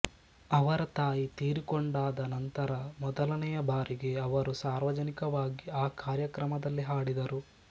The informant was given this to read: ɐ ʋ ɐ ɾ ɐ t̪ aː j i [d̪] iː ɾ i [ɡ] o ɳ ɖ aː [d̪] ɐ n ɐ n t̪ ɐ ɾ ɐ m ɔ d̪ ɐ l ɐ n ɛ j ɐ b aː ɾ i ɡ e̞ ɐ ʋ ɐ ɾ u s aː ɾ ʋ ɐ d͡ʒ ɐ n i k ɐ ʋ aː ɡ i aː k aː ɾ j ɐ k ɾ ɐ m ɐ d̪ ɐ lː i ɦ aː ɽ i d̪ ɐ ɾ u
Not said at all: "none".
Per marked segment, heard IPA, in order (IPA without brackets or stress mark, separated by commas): t̪, k, d̪